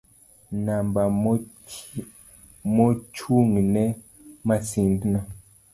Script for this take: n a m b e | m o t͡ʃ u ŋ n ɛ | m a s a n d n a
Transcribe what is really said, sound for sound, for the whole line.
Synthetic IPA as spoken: n a m b a | m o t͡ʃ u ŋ n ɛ | m a s i n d n a